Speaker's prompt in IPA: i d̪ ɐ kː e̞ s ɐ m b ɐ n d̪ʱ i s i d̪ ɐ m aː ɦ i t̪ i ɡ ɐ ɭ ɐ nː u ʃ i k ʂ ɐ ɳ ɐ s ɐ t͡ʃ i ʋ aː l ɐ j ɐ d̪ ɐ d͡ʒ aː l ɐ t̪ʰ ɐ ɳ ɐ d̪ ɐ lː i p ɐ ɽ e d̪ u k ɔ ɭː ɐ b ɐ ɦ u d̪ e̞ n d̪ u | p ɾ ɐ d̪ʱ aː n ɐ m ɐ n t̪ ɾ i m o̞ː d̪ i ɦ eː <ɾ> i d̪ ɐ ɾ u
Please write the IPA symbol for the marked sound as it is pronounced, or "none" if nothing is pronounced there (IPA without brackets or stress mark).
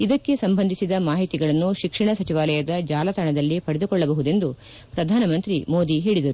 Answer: ɭ